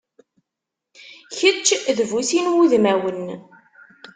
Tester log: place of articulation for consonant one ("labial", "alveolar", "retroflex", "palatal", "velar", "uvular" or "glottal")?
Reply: palatal